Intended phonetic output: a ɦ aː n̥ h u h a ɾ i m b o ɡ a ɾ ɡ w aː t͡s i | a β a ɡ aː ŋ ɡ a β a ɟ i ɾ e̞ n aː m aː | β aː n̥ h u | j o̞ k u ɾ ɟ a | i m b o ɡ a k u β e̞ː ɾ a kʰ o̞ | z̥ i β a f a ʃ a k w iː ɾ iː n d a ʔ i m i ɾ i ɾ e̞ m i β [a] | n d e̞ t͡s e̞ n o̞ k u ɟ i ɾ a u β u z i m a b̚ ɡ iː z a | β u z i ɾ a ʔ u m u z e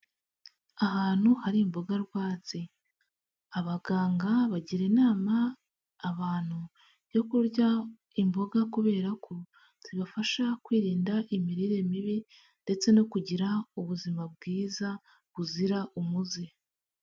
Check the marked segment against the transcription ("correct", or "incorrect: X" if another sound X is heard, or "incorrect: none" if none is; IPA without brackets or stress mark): incorrect: i